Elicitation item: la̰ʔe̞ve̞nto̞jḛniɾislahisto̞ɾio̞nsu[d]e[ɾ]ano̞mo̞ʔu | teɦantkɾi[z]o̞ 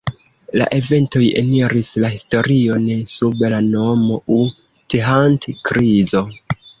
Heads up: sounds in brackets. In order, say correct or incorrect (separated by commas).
incorrect, incorrect, correct